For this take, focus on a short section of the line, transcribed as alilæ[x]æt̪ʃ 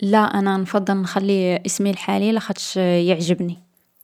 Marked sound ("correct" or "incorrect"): correct